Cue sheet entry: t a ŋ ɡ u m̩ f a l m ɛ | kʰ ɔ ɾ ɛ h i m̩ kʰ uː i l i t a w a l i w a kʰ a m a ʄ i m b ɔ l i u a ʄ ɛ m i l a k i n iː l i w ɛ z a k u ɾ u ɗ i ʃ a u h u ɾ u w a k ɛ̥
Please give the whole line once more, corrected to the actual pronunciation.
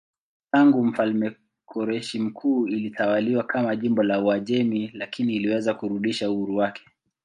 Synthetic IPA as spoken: t a ŋ ɡ u m̩ f a l m ɛ | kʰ ɔ ɾ ɛ ʃ i m̩ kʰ uː i l i t a w a l i w a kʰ a m a ʄ i m b ɔ l a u a ʄ ɛ m i l a k i n iː l i w ɛ z a k u ɾ u ɗ i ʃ a u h u ɾ u w a k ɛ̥